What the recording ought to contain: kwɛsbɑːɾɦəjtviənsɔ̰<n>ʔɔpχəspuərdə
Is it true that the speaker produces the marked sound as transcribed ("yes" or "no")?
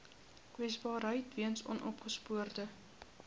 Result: yes